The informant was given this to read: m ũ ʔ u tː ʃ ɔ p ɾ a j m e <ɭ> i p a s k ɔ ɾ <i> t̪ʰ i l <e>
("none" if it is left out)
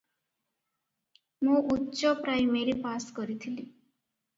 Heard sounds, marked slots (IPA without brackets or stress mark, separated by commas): ɾ, i, i